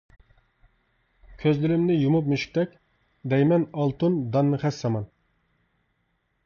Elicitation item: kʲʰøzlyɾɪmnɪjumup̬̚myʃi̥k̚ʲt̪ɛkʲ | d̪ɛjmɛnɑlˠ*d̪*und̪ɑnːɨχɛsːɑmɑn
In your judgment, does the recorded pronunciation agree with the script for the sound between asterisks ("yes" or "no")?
no